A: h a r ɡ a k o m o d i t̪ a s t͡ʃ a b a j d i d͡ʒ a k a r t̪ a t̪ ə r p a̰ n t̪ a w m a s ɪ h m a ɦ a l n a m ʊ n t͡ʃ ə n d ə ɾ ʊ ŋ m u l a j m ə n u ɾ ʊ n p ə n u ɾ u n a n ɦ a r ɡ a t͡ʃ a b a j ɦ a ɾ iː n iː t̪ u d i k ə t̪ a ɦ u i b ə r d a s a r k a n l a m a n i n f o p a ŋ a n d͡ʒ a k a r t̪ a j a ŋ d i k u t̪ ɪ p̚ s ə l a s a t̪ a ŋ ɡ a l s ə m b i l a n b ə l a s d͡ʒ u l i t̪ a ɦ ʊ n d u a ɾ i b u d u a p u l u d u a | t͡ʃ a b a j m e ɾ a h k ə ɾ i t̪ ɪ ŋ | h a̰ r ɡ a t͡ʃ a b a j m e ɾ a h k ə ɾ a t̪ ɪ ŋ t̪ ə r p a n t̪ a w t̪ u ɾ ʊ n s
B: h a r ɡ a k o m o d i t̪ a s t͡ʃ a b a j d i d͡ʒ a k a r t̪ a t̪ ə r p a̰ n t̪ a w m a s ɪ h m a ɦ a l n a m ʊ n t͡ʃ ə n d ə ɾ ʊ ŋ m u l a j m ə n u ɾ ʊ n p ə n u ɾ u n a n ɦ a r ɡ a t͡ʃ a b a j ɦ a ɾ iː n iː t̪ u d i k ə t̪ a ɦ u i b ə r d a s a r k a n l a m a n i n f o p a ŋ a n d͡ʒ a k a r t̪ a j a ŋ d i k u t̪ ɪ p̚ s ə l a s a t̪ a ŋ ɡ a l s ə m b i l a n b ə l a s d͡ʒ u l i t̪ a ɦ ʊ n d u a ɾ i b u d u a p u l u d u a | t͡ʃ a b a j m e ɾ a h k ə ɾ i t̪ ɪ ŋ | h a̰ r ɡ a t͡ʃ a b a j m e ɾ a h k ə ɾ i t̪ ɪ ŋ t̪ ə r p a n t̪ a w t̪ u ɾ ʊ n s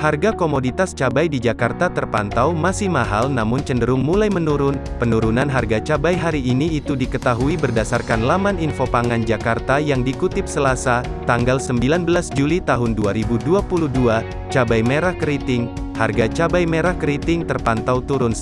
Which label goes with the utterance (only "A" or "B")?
B